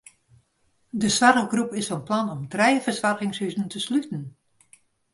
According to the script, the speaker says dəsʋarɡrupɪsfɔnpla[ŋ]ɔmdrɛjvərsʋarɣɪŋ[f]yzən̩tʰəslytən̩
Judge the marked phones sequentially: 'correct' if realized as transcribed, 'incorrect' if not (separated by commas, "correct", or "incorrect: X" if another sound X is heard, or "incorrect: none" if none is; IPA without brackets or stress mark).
incorrect: n, incorrect: s